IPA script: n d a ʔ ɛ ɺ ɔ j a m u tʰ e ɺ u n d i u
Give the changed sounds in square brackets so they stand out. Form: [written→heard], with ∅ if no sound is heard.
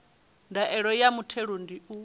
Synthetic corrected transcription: n d a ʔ ɛ ɺ ɔ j a m u tʰ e ɺ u n d i u